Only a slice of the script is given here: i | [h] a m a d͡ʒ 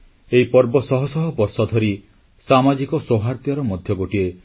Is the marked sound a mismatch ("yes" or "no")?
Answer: yes